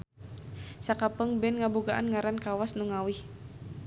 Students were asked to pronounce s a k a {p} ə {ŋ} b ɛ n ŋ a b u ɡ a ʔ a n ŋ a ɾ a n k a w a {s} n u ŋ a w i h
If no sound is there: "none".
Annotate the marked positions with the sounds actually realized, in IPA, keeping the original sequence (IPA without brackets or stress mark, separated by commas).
p, ŋ, s